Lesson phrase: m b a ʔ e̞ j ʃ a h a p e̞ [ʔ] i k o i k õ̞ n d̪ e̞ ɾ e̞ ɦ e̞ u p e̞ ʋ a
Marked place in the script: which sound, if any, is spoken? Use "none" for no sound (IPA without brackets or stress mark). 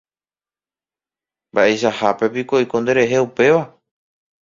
p